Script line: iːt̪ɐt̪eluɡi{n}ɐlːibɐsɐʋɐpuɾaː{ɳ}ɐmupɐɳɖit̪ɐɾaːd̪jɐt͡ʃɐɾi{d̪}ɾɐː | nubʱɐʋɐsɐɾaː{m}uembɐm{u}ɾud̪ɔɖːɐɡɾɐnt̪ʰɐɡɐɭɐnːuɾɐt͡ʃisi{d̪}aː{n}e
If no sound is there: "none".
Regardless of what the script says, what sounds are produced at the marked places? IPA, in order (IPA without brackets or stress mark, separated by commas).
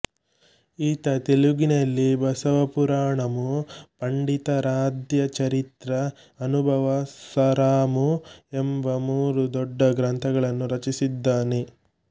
n, ɳ, t̪, m, uː, d̪ː, n